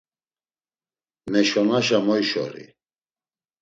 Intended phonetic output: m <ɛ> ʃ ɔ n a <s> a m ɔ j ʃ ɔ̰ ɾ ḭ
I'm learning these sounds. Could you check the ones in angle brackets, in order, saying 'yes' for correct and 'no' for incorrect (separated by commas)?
yes, no